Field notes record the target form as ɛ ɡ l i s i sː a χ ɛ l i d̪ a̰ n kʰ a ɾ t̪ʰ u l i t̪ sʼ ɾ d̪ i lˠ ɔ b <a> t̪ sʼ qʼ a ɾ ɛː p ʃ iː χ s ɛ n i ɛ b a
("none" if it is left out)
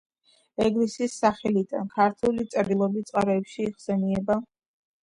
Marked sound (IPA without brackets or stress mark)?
i